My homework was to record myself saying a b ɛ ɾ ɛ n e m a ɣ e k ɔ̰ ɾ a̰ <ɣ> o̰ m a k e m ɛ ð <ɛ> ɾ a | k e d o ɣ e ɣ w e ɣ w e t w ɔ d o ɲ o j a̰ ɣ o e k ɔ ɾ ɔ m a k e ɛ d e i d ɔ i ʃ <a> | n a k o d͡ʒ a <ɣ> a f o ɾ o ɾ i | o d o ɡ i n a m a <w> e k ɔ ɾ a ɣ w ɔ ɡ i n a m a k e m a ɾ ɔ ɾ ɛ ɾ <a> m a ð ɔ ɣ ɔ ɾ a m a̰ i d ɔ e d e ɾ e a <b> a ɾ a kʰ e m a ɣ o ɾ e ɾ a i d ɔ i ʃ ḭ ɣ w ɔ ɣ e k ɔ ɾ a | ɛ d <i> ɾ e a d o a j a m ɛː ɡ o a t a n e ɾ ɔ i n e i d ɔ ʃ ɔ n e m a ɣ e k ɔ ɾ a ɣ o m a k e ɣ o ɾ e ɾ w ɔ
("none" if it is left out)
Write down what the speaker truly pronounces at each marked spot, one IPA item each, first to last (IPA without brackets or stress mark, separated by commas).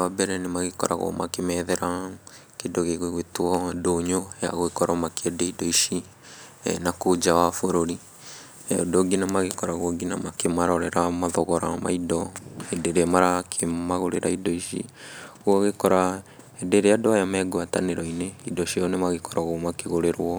ɣ, ɛ, i, w, ɣ, a, m, e